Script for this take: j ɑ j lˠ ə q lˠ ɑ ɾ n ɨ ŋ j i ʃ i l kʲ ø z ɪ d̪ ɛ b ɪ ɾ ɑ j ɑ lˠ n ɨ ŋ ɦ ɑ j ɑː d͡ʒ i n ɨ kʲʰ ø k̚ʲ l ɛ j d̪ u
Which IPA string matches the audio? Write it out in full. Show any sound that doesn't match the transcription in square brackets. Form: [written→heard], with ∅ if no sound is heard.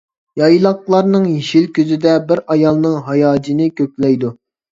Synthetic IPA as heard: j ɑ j lˠ [ə→ɑ] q lˠ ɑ ɾ n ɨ ŋ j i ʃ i l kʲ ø z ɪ d̪ ɛ b ɪ ɾ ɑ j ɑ lˠ n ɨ ŋ ɦ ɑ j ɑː d͡ʒ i n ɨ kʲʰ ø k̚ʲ l ɛ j d̪ u